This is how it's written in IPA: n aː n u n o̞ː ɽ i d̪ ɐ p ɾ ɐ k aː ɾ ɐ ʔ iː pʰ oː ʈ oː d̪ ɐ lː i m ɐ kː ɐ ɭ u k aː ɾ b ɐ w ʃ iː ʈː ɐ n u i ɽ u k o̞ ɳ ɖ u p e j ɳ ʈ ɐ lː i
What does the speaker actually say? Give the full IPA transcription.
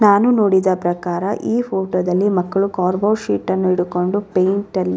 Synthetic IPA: n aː n u n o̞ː ɽ i d̪ ɐ p ɾ ɐ k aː ɾ ɐ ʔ iː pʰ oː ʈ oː d̪ ɐ lː i m ɐ kː ɐ ɭ u k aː ɾ b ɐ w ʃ iː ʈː ɐ nː u i ɽ u k o̞ ɳ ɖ u p e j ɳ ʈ ɐ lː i